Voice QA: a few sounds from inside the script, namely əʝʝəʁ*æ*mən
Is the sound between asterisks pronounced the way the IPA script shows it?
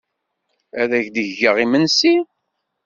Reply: no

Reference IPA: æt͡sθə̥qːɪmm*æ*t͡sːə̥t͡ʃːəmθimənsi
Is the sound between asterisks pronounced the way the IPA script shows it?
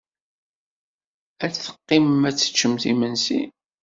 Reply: yes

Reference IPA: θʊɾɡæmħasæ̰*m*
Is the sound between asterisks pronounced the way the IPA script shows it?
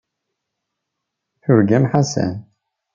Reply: no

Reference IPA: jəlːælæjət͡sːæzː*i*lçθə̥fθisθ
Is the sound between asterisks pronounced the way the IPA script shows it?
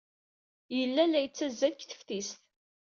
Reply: no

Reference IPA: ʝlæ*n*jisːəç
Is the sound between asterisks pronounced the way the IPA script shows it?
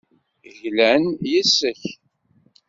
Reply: yes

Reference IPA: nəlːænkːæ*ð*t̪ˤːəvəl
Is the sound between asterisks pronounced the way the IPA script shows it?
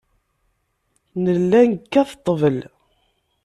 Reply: no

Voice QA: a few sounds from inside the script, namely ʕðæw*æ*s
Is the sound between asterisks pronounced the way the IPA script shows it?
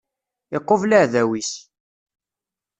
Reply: no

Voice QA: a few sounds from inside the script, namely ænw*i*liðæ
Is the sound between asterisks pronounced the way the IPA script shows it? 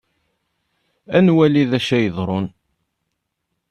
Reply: no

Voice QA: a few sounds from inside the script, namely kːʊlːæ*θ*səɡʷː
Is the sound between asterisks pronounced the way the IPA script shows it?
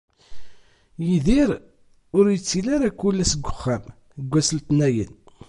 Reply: no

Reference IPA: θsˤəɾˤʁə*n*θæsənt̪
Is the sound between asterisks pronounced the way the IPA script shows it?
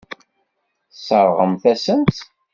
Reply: no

